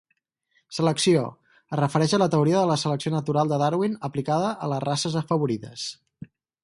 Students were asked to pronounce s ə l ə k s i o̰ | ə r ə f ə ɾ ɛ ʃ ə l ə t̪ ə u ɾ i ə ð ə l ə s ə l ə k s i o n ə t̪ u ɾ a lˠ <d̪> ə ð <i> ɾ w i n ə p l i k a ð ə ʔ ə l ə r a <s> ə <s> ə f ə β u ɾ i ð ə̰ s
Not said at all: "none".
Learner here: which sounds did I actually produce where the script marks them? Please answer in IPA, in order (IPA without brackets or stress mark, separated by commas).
d̪, a, s, z